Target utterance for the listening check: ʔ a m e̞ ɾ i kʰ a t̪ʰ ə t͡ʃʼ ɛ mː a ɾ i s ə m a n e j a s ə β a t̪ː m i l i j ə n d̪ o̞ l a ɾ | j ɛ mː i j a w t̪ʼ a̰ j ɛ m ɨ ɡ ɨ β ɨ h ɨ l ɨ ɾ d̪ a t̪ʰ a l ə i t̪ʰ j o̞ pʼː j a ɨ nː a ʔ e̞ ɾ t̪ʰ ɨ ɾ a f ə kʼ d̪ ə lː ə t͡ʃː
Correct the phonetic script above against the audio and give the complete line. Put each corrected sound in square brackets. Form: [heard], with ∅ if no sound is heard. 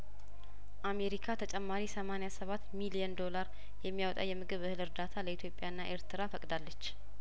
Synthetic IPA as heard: ʔ a m e̞ ɾ i kʰ a t̪ʰ ə t͡ʃʼ ɛ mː a ɾ i s ə m a n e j a s ə β a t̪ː m i l i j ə n d̪ o̞ l a ɾ | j ɛ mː i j a w t̪ʼ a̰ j ɛ m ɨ ɡ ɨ β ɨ h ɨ l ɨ ɾ d̪ a t̪ʰ a l ə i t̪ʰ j o̞ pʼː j a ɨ nː a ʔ e̞ ɾ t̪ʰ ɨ ɾ a f ə kʼ d̪ [a] lː ə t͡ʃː

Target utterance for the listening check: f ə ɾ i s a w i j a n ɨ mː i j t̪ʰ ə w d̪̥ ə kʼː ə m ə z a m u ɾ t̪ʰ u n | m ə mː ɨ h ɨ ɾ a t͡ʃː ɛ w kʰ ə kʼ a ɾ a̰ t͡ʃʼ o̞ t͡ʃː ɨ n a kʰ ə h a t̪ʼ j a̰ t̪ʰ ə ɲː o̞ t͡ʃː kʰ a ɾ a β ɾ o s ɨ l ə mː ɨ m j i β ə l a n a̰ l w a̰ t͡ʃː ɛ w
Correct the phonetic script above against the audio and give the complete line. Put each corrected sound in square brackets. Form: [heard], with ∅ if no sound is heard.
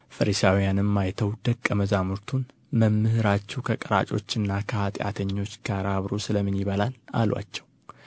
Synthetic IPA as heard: f ə ɾ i s a w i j a n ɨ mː [a] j t̪ʰ ə w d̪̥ ə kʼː ə m ə z a m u ɾ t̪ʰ u n | m ə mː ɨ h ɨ ɾ a t͡ʃː ɛ w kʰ ə kʼ [ə] ɾ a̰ t͡ʃʼ o̞ t͡ʃː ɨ [nː] a kʰ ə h a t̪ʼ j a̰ t̪ʰ ə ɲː o̞ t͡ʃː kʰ a ɾ a β ɾ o s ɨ l ə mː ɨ [n] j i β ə l a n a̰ l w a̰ t͡ʃː ɛ w

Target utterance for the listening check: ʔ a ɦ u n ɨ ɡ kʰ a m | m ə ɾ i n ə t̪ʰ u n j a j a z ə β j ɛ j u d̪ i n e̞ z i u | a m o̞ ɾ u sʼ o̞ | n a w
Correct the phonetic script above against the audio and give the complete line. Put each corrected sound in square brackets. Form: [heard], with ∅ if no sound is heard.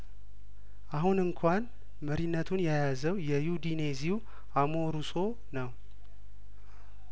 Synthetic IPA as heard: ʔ a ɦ u n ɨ [ŋ] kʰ a [n] | m ə ɾ i [nː] ə t̪ʰ u n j a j a z ə [w] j ɛ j u d̪ i n e̞ z i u | a m o̞ ɾ u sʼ o̞ | n [ə] w

